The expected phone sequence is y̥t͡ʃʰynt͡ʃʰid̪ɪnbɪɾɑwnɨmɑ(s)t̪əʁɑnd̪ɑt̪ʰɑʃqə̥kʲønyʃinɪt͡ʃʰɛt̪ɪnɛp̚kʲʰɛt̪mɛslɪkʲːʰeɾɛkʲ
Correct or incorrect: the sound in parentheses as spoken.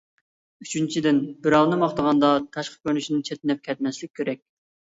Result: incorrect: χ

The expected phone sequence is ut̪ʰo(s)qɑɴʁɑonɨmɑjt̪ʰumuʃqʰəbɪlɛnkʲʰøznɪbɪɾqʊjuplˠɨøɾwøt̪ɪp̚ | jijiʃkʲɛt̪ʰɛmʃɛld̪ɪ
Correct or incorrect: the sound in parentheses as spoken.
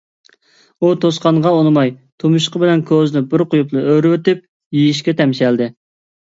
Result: correct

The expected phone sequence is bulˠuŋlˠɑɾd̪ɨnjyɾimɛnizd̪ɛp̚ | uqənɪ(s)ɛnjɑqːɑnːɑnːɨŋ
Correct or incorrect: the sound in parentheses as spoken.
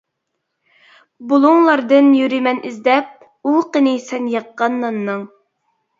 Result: correct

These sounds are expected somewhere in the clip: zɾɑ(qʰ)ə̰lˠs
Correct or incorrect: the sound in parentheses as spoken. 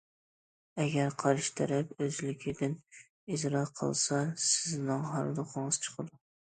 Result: correct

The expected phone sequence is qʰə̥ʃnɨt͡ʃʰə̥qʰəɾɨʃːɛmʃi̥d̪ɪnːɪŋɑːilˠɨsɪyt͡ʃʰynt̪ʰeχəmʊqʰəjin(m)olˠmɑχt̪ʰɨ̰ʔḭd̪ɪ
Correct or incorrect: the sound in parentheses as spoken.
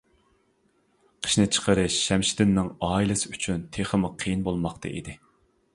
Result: incorrect: b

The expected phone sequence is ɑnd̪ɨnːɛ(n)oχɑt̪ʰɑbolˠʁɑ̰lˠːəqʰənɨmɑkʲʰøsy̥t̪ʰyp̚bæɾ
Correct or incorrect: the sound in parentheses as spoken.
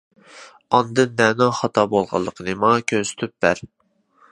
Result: correct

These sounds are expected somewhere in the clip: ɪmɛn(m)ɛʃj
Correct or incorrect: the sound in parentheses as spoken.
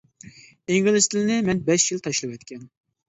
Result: incorrect: b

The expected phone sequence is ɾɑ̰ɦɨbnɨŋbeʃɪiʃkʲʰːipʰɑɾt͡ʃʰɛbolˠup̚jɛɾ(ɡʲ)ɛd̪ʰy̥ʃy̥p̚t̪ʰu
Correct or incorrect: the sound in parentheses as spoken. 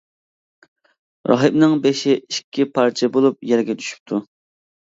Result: correct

